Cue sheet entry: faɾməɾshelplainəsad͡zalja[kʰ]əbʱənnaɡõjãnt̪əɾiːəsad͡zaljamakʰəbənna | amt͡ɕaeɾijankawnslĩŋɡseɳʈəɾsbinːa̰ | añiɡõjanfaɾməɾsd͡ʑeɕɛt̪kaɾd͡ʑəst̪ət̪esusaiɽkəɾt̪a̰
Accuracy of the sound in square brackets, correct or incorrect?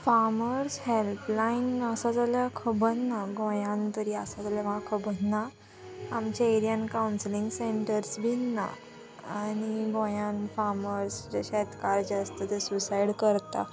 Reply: correct